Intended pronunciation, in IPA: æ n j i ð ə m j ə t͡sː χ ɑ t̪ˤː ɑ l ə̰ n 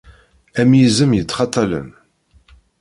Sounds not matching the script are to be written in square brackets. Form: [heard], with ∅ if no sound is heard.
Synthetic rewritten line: æ [m] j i [z] ə m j ə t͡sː χ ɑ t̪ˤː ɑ l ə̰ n